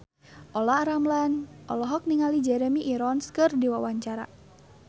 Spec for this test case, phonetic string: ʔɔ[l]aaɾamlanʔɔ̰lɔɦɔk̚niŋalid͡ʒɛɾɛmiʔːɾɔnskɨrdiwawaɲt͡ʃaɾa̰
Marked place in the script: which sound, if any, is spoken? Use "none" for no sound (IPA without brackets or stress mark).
l